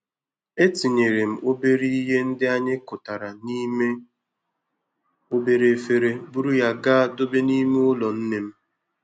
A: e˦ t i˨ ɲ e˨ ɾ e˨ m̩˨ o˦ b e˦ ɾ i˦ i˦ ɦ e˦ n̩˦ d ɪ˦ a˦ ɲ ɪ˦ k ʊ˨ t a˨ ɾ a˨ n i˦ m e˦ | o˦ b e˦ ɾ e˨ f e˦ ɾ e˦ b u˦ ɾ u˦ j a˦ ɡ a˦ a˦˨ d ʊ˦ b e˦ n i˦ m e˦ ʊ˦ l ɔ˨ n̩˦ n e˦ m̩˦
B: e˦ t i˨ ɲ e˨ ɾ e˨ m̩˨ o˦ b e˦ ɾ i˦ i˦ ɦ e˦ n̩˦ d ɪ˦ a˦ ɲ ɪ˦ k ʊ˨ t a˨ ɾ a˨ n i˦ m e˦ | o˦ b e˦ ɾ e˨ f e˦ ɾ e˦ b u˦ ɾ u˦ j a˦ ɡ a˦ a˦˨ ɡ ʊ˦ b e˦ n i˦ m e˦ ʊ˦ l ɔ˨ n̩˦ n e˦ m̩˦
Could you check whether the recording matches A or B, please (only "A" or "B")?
A